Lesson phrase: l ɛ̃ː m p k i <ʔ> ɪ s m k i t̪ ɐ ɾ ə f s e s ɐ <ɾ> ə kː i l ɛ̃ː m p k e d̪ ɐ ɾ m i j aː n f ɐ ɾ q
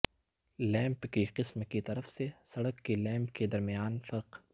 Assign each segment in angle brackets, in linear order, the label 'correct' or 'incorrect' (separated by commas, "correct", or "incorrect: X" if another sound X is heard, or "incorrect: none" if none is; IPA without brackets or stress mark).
incorrect: q, incorrect: ɽ